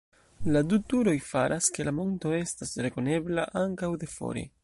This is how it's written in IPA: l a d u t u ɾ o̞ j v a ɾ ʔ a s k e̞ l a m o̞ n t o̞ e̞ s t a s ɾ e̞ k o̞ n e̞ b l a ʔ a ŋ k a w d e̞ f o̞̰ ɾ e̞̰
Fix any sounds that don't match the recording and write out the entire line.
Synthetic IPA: l a d u t u ɾ o̞ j f a ɾ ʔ a s k e̞ l a m o̞ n t o̞ e̞ s t a s ɾ e̞ k o̞ n e̞ b l a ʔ a ŋ k a w d e̞ f o̞̰ ɾ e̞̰